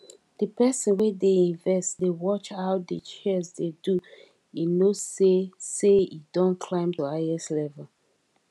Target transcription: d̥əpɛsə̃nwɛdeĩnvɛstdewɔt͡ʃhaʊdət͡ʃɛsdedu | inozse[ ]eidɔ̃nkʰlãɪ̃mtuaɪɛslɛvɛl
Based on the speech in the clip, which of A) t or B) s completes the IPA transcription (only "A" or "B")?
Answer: B